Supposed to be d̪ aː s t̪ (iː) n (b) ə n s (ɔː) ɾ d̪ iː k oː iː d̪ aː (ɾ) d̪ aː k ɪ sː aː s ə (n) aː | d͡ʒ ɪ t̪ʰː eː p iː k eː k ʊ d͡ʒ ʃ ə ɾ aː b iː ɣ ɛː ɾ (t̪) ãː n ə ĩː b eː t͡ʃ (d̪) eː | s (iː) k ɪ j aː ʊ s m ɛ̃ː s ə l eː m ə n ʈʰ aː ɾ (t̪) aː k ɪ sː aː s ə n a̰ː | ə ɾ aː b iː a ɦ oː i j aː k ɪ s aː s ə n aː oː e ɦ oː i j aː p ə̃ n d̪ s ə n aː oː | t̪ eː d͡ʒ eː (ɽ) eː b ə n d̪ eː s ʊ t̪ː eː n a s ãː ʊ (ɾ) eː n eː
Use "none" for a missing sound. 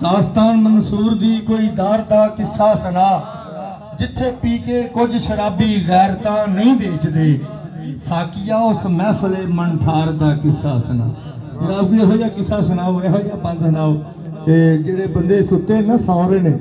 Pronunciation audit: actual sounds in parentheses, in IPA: aː, m, uː, ɾ, n, t̪, d̪, aː, d̪, ɽ, ɾ

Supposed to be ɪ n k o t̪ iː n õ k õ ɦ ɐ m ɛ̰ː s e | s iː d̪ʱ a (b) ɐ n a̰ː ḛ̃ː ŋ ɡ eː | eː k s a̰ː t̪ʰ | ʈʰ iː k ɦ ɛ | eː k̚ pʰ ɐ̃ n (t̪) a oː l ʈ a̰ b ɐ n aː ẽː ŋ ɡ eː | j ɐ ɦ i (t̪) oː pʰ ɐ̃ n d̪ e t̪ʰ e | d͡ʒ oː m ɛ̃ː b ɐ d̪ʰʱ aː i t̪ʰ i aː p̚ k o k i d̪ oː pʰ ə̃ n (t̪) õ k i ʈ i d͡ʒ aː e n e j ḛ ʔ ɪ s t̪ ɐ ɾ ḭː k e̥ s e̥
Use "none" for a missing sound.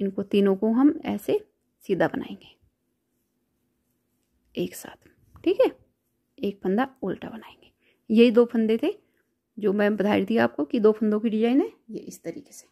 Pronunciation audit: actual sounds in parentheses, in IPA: b, d̪, d̪, d̪

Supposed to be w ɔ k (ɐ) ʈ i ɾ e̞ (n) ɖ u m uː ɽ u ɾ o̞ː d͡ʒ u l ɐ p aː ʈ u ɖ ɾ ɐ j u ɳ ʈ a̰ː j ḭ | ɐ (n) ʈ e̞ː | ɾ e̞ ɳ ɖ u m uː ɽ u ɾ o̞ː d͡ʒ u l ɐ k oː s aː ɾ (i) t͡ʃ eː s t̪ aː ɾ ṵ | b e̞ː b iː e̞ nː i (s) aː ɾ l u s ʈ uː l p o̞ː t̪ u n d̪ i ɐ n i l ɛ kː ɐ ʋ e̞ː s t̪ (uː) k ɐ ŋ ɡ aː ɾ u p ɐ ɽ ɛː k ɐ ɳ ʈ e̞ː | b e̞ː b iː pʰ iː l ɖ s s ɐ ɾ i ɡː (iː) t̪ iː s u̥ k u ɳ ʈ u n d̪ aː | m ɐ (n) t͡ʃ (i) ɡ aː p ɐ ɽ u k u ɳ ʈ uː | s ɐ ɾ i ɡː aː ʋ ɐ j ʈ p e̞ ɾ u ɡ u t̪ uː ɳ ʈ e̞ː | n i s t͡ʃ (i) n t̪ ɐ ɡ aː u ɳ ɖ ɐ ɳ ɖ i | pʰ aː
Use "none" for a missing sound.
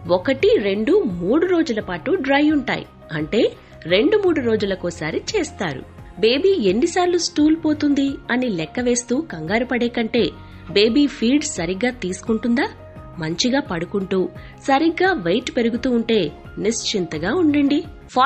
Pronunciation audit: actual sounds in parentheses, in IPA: ɐ, ɳ, ɳ, i, s, uː, aː, ɲ, i, i

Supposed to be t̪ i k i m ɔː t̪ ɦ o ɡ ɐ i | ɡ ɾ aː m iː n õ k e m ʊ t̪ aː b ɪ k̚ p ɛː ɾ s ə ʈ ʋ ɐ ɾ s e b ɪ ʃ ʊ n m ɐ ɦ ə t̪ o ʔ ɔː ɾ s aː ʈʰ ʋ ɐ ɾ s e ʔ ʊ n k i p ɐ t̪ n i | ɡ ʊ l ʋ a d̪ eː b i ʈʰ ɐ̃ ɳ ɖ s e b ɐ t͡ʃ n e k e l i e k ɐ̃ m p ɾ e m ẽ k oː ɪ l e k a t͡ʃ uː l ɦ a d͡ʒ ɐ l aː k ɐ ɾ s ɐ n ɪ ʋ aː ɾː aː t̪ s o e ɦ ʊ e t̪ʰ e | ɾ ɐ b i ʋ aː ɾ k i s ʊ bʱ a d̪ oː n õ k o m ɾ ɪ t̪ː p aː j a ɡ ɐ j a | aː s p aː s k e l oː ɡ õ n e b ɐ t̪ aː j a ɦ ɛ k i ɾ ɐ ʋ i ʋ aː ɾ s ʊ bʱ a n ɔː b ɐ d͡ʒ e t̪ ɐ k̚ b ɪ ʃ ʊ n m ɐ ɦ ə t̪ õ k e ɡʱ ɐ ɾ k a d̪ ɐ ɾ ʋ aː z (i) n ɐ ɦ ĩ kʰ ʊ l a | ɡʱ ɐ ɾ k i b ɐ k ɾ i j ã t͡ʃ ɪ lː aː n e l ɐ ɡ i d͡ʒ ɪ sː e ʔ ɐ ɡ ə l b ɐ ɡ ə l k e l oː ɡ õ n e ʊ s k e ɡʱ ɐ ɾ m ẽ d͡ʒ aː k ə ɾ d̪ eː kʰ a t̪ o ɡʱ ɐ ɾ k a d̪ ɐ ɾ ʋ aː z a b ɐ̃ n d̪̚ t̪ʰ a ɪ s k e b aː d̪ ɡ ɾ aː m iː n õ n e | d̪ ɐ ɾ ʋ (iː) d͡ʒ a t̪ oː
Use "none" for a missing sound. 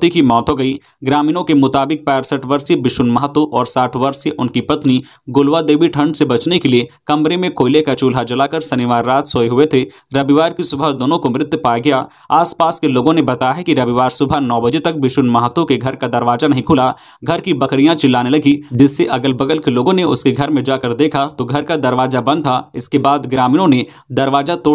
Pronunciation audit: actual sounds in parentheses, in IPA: a, aː

